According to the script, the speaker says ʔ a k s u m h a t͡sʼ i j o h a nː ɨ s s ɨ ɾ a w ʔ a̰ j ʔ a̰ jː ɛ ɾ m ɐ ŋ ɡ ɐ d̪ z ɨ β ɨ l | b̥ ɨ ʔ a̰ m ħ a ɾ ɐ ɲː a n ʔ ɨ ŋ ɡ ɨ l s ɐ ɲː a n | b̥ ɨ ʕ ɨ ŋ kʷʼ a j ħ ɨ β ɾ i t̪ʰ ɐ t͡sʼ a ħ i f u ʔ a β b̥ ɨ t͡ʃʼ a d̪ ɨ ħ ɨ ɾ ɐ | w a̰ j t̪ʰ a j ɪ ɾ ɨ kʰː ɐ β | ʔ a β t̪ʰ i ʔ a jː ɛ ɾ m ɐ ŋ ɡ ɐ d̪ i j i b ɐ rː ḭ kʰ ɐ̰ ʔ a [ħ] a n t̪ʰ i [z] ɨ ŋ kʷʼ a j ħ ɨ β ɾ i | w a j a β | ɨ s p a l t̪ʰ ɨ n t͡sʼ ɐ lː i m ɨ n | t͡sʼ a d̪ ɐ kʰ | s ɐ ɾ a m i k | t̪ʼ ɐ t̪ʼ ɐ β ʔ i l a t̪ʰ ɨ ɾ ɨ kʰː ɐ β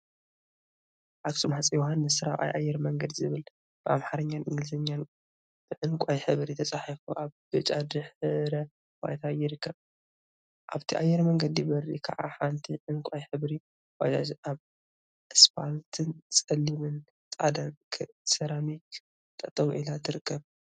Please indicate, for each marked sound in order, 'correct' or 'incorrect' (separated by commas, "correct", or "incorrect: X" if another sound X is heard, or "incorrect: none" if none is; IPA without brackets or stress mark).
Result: correct, incorrect: ʕ